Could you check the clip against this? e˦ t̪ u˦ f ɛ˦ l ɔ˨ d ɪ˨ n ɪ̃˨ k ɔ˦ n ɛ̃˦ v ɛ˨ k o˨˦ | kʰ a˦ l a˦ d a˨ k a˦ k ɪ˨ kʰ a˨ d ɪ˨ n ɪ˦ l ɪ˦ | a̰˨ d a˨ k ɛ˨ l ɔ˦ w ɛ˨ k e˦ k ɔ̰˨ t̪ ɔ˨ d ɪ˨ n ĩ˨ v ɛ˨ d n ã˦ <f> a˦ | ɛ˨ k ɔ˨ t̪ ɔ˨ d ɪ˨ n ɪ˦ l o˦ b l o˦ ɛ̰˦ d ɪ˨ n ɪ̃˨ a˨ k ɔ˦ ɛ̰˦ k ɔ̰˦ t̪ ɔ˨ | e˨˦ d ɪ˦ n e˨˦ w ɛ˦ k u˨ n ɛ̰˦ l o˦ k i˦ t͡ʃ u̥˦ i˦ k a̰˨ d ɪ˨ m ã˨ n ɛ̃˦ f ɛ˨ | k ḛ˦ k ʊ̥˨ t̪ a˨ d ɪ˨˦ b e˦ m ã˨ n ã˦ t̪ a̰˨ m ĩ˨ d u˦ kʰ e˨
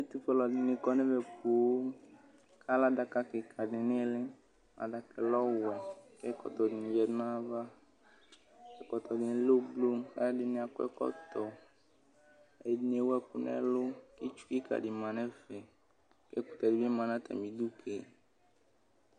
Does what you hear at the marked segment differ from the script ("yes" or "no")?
yes